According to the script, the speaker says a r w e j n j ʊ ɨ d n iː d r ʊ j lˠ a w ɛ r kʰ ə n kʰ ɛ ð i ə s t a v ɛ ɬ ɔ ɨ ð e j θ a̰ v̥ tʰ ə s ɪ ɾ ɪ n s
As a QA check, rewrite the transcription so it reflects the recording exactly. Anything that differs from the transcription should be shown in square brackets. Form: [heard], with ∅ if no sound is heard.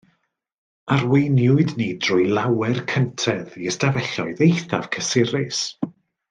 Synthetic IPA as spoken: a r w e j n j ʊ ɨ d n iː d r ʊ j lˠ a w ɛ r kʰ ə n [tʰ] ɛ ð i ə s t a v ɛ ɬ ɔ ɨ ð e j θ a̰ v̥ [kʰ] ə s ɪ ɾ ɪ [∅] s